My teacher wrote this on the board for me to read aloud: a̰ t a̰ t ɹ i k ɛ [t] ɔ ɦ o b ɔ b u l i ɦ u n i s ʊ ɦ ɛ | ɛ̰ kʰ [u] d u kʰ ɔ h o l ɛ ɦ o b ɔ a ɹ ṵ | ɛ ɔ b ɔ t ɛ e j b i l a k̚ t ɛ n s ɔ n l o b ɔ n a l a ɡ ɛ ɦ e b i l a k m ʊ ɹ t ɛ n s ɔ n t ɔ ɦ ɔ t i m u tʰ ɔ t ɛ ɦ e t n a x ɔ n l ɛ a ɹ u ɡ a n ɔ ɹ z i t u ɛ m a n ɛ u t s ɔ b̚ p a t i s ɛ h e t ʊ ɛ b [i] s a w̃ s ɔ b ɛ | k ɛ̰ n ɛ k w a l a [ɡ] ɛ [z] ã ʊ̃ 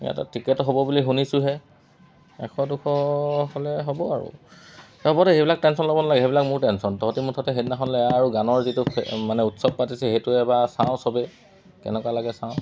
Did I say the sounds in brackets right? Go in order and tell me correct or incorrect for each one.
correct, incorrect: ɔ, incorrect: a, correct, incorrect: s

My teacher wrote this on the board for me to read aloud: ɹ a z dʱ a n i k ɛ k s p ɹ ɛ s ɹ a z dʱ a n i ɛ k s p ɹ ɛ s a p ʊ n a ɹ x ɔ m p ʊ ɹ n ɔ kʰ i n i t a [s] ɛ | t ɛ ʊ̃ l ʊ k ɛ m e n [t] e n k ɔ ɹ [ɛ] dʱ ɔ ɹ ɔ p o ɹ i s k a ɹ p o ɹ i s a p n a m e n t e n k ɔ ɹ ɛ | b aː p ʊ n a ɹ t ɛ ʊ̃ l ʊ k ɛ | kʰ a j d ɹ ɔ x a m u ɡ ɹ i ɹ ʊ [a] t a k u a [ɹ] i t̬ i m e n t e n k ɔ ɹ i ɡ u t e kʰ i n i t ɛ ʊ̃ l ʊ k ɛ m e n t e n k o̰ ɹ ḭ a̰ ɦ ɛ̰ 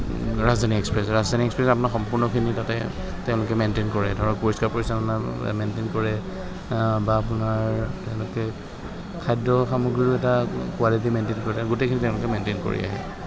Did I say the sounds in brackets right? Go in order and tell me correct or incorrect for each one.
incorrect: t, correct, correct, incorrect: ɛ, incorrect: l

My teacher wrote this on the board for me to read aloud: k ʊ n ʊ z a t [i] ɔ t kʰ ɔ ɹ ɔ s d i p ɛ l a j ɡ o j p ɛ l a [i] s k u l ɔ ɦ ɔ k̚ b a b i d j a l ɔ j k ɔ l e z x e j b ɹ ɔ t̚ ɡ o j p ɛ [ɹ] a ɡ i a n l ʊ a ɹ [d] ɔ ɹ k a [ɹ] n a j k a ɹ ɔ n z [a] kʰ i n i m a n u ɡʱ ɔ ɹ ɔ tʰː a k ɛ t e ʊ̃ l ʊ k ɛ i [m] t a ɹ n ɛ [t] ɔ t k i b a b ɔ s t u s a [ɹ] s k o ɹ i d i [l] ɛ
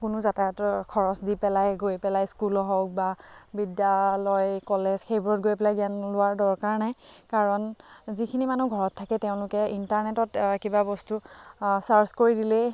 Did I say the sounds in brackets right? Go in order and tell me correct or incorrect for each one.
incorrect: a, incorrect: j, incorrect: l, correct, correct, incorrect: i, incorrect: n, correct, correct, correct

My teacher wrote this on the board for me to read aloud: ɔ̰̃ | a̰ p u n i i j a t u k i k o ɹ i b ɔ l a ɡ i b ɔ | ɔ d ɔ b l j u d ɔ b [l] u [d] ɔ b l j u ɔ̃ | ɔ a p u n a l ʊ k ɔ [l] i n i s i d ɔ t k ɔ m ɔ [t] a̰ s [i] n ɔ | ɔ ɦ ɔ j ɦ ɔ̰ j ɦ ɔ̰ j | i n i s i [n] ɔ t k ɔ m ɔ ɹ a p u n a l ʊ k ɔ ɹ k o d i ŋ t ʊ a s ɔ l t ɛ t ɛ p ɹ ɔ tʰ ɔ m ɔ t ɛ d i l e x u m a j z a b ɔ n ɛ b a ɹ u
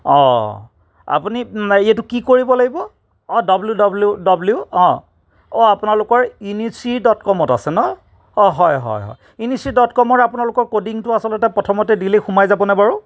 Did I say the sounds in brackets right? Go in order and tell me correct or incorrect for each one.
correct, correct, incorrect: ɹ, correct, incorrect: ɛ, incorrect: d

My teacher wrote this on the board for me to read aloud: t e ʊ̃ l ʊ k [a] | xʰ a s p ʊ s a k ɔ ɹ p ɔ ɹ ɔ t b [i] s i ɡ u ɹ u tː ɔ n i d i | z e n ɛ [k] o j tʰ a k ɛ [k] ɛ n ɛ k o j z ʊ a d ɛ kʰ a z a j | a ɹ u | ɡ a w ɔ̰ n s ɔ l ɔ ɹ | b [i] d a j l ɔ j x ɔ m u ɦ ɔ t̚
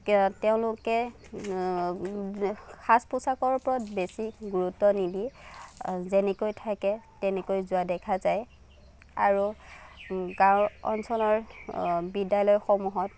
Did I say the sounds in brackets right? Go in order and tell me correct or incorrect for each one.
incorrect: ɛ, incorrect: e, correct, incorrect: t, correct

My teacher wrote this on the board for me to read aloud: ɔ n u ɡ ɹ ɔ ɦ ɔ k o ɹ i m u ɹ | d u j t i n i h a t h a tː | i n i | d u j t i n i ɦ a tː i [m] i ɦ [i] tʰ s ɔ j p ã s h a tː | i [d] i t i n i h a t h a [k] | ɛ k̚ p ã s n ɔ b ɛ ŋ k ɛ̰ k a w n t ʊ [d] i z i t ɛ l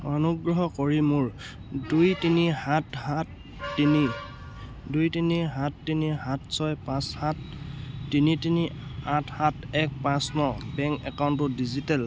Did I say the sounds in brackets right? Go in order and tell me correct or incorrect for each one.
incorrect: n, incorrect: a, incorrect: n, incorrect: t, correct

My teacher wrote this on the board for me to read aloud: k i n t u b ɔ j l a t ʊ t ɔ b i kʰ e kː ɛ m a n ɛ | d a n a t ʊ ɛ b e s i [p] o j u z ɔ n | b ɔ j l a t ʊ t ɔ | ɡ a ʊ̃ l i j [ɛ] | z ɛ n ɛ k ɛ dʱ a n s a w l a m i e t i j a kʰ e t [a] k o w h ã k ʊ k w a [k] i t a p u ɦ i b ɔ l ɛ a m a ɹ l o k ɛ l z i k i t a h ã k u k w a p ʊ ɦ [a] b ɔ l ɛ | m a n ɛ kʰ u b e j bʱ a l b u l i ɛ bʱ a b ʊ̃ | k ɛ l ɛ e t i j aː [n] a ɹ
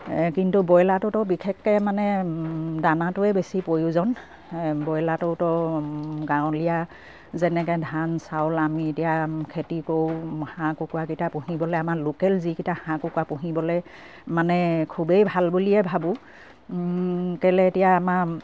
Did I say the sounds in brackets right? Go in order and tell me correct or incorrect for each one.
correct, incorrect: a, incorrect: i, correct, incorrect: i, incorrect: m

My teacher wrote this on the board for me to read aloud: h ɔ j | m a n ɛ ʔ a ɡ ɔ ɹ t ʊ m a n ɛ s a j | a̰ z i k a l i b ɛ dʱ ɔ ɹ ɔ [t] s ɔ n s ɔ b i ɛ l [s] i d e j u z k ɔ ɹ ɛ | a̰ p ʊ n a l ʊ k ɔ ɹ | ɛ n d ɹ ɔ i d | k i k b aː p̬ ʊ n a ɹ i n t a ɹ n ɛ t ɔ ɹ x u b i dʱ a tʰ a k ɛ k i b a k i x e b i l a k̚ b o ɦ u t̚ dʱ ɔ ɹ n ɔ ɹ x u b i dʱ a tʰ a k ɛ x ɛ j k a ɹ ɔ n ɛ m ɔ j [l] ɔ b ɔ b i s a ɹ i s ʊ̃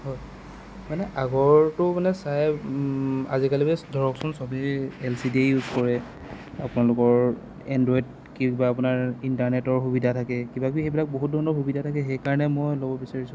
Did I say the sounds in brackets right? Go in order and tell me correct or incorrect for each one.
incorrect: k, correct, correct

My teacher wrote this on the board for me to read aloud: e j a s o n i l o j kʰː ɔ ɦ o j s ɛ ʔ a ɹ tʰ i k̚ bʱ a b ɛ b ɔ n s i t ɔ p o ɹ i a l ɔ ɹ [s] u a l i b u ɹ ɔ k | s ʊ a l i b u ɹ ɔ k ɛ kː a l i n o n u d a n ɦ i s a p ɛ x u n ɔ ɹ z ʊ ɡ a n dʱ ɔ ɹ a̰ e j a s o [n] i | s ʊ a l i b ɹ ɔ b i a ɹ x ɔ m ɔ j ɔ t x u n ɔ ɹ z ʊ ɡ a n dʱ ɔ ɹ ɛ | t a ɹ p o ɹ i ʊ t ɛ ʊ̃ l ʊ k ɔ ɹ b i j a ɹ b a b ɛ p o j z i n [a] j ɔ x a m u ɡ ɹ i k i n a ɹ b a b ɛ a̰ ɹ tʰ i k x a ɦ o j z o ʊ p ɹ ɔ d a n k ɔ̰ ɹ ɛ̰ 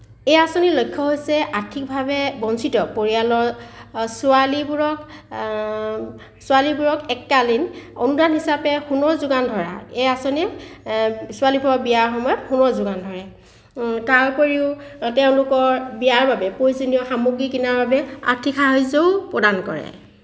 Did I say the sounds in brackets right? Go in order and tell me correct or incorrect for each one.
correct, correct, incorrect: i

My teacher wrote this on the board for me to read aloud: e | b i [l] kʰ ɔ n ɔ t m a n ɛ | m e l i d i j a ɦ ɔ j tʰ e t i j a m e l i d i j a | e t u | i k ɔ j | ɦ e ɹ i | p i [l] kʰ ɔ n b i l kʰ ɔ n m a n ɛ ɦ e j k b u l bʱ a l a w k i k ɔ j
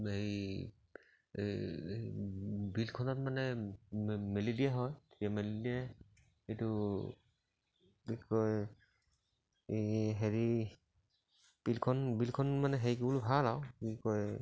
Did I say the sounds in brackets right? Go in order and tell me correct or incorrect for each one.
correct, correct

